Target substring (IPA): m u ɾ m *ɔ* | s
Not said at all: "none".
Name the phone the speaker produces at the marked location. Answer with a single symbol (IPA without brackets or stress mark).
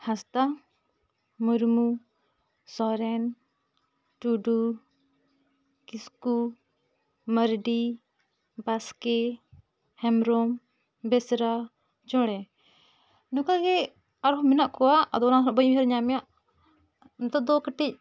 u